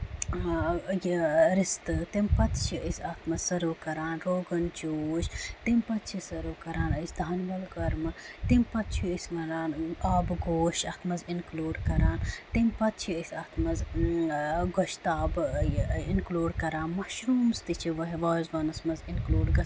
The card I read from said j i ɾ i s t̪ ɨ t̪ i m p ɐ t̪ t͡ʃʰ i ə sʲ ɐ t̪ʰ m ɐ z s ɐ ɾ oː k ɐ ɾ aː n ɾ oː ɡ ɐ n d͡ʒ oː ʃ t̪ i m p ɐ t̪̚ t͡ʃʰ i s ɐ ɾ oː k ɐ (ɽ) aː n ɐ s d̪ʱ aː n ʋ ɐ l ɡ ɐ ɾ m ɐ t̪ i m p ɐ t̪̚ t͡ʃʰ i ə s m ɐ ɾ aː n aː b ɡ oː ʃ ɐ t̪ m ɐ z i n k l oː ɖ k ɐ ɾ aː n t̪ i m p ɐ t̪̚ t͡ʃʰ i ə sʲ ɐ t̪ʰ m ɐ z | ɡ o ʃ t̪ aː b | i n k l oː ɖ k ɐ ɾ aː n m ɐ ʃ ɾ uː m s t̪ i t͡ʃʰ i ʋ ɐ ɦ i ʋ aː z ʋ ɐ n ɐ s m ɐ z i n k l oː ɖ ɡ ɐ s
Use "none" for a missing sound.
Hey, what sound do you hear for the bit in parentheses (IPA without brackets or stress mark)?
ɾ